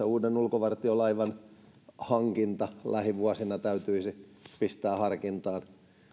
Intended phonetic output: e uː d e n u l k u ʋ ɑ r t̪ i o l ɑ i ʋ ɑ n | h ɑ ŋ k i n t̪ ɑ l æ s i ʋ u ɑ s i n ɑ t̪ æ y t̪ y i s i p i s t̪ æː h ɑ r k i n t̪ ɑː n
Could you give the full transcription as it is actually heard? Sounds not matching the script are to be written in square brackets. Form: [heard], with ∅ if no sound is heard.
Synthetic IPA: e uː d e n u l k [o] ʋ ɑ r t̪ i o l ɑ i ʋ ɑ n | h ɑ ŋ k i n t̪ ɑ l æ [h] i ʋ u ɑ s i n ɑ t̪ æ y t̪ y i s i p i s t̪ æː h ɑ r k i n t̪ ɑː n